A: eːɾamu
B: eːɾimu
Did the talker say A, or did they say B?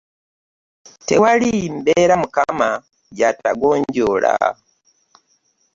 A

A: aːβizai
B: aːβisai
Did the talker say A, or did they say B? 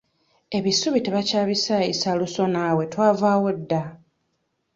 B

